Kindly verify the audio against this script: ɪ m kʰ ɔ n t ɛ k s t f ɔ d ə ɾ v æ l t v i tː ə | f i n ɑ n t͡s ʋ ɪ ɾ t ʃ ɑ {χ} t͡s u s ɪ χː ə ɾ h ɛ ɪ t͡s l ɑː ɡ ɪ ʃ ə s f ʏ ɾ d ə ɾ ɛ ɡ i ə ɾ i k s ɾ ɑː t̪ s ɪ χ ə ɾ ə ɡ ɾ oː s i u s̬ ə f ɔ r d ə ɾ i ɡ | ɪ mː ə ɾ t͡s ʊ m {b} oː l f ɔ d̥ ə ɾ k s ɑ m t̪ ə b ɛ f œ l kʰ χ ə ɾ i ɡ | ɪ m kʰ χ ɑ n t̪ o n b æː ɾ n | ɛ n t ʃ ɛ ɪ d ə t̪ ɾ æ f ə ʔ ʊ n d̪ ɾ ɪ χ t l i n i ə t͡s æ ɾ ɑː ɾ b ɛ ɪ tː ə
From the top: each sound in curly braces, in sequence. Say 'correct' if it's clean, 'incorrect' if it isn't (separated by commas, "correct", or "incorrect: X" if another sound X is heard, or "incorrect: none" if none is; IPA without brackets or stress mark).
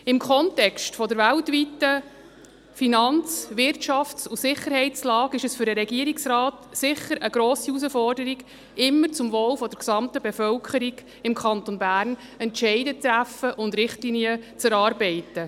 incorrect: f, incorrect: v